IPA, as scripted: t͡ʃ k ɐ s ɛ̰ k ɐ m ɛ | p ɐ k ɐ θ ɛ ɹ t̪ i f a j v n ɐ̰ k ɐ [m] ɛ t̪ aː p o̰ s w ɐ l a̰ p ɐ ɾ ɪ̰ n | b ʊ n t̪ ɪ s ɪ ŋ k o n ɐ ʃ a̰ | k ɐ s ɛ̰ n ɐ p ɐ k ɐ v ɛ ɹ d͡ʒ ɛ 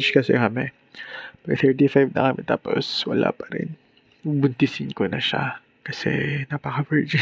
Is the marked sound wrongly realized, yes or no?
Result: no